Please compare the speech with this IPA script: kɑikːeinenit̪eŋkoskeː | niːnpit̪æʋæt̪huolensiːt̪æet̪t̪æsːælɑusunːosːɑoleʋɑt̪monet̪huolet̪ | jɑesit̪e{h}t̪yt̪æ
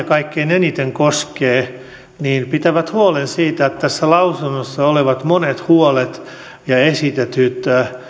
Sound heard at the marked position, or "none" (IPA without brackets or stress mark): none